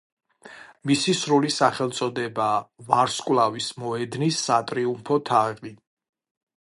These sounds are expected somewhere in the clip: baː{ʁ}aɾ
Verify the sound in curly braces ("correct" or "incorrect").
incorrect